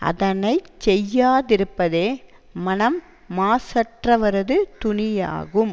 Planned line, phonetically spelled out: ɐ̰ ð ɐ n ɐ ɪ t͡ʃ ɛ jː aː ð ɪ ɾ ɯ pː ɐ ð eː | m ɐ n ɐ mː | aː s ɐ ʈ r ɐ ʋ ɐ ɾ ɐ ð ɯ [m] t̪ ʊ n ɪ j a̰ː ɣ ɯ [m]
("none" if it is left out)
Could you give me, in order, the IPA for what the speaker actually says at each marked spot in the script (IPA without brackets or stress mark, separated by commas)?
none, m